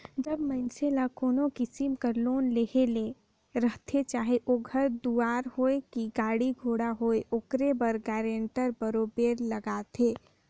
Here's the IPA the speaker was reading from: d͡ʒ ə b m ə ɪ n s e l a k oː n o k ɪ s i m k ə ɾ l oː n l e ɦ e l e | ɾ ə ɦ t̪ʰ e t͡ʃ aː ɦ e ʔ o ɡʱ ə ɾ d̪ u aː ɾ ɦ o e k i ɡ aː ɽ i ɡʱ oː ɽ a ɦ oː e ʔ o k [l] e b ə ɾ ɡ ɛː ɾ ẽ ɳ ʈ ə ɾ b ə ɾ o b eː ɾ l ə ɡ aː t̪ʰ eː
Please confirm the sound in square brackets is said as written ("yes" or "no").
no